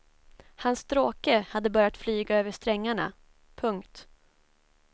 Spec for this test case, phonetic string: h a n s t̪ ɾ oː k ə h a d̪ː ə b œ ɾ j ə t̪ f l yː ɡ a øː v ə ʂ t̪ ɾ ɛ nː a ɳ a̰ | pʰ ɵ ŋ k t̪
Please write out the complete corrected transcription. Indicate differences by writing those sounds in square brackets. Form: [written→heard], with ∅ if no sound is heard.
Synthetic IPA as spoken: h a n s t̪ ɾ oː k ə h a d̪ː ə b œ ɾ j [ə→a] t̪ f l yː ɡ a øː v ə ʂ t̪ ɾ ɛ [nː→ŋː] a ɳ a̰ | pʰ ɵ ŋ k t̪